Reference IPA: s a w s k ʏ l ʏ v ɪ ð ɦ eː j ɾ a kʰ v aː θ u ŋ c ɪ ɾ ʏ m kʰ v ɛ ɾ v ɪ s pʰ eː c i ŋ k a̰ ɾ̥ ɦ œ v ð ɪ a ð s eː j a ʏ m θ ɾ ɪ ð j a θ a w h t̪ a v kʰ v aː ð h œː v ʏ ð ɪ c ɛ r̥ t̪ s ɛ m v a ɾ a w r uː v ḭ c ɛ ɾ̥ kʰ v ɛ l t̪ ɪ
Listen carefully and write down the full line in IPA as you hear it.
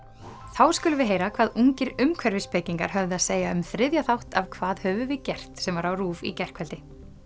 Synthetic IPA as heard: θ a w s k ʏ l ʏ v ɪ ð ɦ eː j ɾ a kʰ v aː ð u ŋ c ɪ ɾ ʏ m kʰ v ɛ ɾ v ɪ s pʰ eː c i ŋ k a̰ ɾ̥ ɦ œ v ð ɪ a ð s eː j a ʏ m θ ɾ ɪ ð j a θ a w h t̪ a v kʰ v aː ð h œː v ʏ v ɪ c ɛ r̥ t̪ s ɛ m v a ɾ a w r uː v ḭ c ɛ r̥ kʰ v ɛ l t̪ ɪ